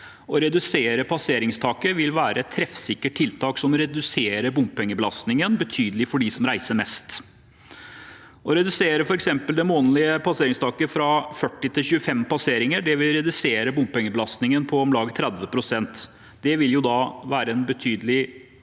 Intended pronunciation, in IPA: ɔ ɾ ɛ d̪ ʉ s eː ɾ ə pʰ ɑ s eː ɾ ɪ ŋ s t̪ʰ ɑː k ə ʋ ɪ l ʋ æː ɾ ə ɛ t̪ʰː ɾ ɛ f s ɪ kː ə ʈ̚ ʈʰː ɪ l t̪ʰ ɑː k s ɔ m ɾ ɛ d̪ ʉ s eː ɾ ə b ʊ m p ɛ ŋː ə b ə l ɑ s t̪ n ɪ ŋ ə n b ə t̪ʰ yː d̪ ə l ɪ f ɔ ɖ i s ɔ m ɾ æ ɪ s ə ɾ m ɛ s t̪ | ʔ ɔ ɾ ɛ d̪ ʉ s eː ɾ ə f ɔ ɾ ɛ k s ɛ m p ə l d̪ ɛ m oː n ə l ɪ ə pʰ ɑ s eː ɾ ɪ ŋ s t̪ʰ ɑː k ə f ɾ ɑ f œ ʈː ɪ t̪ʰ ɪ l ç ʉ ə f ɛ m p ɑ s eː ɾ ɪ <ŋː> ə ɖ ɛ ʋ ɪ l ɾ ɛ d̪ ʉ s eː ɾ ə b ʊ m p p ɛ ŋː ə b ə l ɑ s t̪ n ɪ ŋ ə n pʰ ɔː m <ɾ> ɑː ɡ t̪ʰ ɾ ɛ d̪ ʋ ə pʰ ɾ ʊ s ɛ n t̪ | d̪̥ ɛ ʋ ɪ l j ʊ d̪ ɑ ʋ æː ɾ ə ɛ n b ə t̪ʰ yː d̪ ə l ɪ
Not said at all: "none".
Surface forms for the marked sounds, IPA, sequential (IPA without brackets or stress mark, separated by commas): ŋ, l